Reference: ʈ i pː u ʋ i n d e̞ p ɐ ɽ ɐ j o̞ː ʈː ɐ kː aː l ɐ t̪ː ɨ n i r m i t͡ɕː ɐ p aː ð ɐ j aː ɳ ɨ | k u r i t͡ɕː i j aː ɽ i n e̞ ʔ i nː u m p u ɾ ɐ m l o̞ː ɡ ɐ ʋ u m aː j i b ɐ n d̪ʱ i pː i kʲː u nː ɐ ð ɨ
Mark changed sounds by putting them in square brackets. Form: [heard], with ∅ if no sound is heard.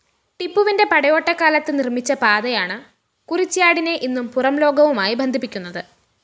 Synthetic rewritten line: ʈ i pː u ʋ i n d e̞ p ɐ ɽ ɐ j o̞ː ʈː ɐ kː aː l ɐ t̪ː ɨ n i r m i t͡ɕː ɐ p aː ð ɐ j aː ɳ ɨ | k u r i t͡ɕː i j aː ɽ i n e̞ ʔ i nː u m p u [r] ɐ m l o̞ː ɡ ɐ ʋ u m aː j i b ɐ n d̪ʱ i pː i kʲː u nː ɐ ð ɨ